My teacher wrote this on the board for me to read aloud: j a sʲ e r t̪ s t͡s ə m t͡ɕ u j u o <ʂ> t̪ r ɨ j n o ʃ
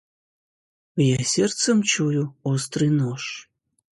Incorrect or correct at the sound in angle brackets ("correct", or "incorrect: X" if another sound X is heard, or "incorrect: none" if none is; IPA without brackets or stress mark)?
incorrect: s